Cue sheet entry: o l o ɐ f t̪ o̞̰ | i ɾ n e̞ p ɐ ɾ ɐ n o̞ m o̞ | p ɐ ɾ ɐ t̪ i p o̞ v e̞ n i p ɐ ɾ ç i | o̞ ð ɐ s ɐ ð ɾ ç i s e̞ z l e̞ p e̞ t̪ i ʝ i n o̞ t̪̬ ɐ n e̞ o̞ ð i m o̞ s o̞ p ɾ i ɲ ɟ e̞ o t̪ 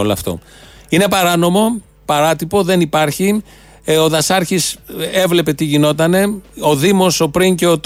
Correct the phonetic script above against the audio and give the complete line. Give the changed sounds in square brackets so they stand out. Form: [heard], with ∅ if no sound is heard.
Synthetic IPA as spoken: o l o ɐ f t̪ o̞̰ | i [∅] n e̞ p ɐ ɾ ɐ n o̞ m o̞ | p ɐ ɾ ɐ t̪ i p o̞ [ð] e̞ n i p ɐ ɾ ç i | o̞ ð ɐ s ɐ [∅] ɾ ç i s e̞ [v] l e̞ p e̞ t̪ i ʝ i n o̞ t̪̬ ɐ n e̞ o̞ ð i m o̞ s o̞ p ɾ i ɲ [c] e̞ o t̪